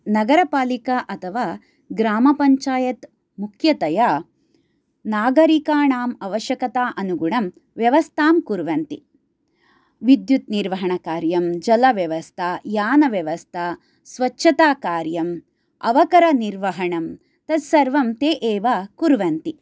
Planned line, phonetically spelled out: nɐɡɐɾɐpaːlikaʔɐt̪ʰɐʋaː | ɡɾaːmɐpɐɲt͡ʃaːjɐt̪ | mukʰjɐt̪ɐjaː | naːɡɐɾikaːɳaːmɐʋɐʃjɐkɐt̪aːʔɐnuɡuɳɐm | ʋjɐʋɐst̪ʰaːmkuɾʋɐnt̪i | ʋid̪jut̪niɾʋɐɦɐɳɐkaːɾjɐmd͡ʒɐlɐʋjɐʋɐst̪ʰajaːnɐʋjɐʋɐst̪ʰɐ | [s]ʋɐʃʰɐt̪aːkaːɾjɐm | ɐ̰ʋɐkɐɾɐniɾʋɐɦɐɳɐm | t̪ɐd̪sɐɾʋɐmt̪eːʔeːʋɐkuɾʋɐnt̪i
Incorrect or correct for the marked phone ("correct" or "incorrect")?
correct